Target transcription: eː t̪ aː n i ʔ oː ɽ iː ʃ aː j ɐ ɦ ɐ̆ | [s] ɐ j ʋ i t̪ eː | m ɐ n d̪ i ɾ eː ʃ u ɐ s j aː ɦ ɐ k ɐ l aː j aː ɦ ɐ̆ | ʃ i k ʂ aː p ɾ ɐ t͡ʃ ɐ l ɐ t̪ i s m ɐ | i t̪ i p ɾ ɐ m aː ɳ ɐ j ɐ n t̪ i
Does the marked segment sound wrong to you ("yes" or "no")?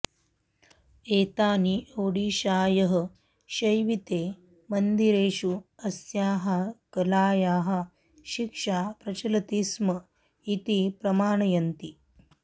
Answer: yes